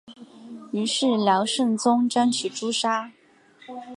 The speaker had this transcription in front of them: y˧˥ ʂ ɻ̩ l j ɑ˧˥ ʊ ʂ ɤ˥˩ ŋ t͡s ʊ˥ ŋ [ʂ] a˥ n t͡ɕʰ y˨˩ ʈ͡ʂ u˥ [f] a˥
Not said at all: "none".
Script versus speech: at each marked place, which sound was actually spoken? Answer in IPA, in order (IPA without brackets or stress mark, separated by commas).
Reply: ʈ͡ʂ, ʂ